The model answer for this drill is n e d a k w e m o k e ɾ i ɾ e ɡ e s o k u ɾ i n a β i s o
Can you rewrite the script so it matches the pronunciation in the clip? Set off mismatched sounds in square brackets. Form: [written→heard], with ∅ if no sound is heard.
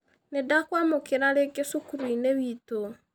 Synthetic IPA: n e d a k w [e→a] m o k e ɾ [i→a] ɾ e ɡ e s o k u ɾ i n [a→e] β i [s→t] o